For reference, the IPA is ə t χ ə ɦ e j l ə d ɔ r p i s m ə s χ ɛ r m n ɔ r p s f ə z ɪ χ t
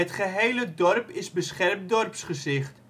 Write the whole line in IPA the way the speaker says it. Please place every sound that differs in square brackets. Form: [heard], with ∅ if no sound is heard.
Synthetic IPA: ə t χ ə ɦ e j l ə d ɔ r p [ɪ] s [b] ə s χ ɛ r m [d] ɔ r p s [χ] ə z ɪ χ t

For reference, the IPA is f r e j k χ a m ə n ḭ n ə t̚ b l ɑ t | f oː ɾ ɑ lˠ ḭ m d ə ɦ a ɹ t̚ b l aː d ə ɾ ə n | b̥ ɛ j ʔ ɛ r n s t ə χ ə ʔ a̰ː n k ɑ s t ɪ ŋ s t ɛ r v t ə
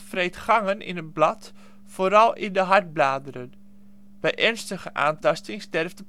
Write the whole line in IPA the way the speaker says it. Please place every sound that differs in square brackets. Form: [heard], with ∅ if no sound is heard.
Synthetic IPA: f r e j [t] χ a [ŋ] ə n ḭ n ə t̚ b l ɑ t | f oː ɾ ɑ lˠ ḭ [n] d ə ɦ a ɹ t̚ b l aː d ə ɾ ə n | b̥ ɛ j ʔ ɛ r n s t ə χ ə ʔ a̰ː n [t] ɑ s t ɪ ŋ s t ɛ r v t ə

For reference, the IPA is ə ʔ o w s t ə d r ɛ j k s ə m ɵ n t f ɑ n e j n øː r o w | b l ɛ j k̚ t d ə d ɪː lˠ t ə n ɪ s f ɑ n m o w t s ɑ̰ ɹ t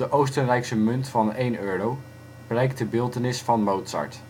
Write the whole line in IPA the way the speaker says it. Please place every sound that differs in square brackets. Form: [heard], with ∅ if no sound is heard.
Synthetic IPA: ə ʔ o w s t ə [n] r ɛ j k s ə m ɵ n t f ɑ n e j n øː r o w | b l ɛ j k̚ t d ə [b] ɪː lˠ t ə n ɪ s f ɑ n m o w t s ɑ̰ ɹ t

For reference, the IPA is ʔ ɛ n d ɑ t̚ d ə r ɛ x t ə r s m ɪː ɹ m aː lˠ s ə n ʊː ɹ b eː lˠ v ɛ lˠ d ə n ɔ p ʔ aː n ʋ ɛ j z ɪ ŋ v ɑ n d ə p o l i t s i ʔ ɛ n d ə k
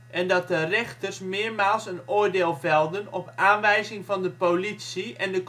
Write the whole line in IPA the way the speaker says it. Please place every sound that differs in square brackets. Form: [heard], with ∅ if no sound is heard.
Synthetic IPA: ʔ ɛ n d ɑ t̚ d ə r ɛ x t ə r s m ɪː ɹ m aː lˠ s ə n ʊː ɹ [d] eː lˠ v ɛ lˠ d ə n ɔ p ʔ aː n ʋ ɛ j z ɪ ŋ v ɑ n d ə p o l i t s i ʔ ɛ n d ə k

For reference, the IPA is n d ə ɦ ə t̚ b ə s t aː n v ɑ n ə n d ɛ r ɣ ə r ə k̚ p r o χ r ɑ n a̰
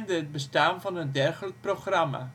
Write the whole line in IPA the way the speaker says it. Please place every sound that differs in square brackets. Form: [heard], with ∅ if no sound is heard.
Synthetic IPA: n d ə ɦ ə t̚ b ə s t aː n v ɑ n ə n d ɛ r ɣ ə [l] ə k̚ p r o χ r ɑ [m] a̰

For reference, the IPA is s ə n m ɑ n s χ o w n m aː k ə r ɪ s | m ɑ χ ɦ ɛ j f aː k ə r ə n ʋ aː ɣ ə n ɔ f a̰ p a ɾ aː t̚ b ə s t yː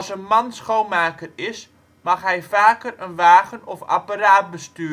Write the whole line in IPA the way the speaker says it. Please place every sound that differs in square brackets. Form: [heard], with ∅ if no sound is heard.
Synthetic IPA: s ə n m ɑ n s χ o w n m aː k ə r ɪ s | m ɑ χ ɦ ɛ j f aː k ə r ə n ʋ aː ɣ ə n ɔ f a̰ p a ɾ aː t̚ b ə s t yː

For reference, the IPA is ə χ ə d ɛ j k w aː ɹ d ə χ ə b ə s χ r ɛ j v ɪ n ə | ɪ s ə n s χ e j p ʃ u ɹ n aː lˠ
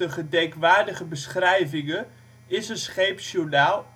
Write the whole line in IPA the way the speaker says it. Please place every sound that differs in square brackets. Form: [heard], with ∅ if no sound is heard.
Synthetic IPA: ə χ ə d ɛ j k [ʋ] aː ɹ d ə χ ə b ə s χ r ɛ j v ɪ [ŋ] ə | ɪ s ə n s χ e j p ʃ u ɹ n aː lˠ

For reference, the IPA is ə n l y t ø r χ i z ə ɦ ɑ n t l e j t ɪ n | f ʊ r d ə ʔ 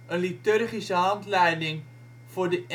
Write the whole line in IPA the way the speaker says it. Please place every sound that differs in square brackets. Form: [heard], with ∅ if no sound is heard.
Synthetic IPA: ə n l [i] t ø r χ i [s] ə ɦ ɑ n t l [ɛ] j [d] ɪ [ŋ] | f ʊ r d ə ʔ

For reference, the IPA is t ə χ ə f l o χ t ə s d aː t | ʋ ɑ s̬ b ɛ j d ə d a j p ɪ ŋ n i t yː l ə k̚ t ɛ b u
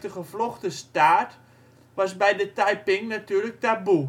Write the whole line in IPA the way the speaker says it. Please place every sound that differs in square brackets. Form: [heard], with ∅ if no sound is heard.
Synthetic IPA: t ə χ ə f l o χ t ə s [t] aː t | ʋ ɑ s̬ b ɛ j d ə [t] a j p ɪ ŋ n [a] t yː l ə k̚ t [a] b u

